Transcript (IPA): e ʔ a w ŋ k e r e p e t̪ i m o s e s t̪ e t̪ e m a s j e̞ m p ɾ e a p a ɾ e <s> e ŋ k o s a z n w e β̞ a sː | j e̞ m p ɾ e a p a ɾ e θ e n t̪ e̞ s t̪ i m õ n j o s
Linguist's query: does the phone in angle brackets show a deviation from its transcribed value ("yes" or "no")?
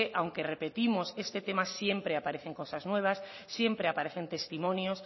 yes